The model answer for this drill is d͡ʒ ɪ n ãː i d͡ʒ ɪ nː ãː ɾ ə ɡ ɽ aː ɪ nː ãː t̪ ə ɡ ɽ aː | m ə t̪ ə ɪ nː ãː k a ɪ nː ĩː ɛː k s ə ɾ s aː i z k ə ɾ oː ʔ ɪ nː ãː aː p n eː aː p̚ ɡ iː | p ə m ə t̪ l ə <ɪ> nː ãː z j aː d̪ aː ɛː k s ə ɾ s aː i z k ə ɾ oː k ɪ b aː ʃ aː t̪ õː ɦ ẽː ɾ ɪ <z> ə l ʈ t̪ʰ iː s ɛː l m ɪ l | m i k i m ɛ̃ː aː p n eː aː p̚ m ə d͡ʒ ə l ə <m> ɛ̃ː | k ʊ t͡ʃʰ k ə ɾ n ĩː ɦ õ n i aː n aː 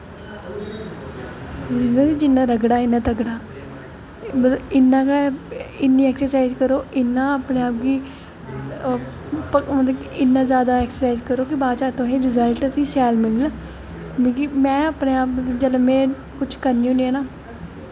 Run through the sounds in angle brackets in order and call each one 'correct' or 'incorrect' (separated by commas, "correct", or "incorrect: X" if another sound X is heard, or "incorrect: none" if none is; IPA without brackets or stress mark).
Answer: correct, correct, correct